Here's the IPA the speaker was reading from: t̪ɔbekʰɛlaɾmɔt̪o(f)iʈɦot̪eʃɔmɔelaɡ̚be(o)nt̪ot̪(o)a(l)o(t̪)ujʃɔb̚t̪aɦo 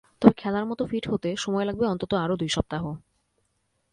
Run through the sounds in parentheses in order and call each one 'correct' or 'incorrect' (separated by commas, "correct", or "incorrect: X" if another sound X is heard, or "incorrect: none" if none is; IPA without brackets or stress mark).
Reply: correct, incorrect: ɔ, correct, incorrect: ɾ, incorrect: d̪